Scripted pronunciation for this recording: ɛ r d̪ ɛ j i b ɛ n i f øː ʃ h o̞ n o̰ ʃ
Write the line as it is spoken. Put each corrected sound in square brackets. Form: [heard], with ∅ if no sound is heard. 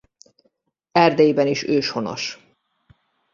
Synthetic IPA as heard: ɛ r d̪ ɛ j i b ɛ n i [ʃ] øː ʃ h o̞ n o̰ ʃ